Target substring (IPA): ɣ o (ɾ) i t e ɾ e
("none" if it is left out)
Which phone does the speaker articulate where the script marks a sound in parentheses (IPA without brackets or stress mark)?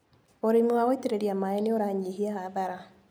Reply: none